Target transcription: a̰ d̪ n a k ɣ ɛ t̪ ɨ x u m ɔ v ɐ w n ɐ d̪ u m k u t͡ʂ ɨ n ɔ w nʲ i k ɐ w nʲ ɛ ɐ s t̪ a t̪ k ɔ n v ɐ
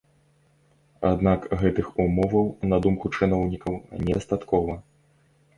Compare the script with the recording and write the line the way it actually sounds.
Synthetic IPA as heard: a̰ d̪ n a k ɣ ɛ t̪ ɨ x u m ɔ v ɐ w n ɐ d̪ u m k u t͡ʂ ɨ n ɔ w nʲ i k ɐ w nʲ ɛ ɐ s t̪ a t̪ k ɔ v ɐ